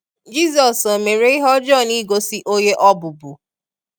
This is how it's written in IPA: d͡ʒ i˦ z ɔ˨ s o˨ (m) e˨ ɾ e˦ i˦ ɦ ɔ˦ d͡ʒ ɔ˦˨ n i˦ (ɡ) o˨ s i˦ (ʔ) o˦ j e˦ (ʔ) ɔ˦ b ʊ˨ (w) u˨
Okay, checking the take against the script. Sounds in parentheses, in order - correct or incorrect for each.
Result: correct, correct, correct, correct, incorrect: b

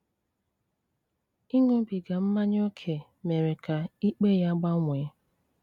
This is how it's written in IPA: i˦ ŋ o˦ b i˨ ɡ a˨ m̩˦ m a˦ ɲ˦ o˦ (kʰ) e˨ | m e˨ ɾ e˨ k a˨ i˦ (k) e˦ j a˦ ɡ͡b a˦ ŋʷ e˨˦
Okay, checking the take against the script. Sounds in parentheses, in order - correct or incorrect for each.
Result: correct, incorrect: k͡p

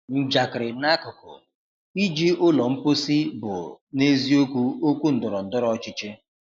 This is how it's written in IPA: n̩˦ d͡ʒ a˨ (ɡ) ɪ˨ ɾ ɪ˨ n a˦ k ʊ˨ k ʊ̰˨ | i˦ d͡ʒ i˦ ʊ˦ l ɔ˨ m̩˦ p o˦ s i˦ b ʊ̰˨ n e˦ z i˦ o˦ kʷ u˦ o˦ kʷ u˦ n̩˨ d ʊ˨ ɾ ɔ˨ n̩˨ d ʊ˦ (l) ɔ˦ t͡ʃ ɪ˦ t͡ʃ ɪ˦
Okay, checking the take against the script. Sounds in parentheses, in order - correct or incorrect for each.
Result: incorrect: k, incorrect: ɾ

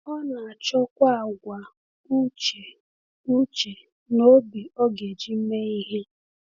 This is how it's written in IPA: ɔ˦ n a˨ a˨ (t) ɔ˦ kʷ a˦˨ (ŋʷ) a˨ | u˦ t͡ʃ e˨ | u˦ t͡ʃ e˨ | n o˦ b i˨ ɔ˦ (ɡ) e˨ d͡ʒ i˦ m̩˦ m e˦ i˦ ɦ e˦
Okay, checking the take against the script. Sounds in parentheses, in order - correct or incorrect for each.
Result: incorrect: t͡ʃ, incorrect: ɡʷ, correct

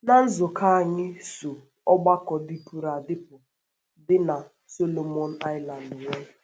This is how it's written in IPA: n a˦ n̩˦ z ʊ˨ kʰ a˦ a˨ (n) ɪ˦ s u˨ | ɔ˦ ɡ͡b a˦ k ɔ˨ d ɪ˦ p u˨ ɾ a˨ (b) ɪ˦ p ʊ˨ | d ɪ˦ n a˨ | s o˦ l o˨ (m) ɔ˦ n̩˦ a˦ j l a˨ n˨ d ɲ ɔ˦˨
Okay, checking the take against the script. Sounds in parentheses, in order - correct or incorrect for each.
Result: incorrect: ɲ, incorrect: d, correct

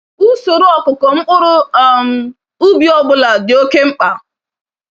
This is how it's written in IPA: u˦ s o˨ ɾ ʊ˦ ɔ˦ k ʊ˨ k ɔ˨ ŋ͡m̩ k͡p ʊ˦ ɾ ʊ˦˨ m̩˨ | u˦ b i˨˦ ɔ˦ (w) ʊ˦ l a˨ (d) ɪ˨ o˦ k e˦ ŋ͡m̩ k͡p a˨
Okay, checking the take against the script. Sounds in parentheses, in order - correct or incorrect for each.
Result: incorrect: b, correct

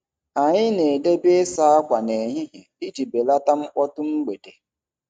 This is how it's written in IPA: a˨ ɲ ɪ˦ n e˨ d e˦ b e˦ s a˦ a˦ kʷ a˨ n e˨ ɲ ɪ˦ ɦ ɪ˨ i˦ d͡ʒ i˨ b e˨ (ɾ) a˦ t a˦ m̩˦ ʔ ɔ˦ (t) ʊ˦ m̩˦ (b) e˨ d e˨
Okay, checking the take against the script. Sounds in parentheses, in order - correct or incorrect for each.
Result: incorrect: l, correct, incorrect: ɡ͡b

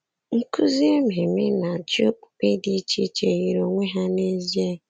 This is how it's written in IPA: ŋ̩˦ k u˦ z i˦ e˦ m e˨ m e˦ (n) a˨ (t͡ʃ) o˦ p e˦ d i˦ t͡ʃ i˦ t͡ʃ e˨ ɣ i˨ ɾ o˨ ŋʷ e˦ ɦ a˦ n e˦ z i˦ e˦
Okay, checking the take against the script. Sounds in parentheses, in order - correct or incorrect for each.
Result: correct, correct

